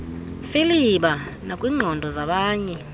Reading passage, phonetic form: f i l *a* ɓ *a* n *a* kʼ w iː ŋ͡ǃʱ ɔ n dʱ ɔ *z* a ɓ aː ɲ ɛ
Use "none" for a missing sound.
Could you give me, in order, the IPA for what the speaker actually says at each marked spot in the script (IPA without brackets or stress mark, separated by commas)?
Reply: i, a, a, z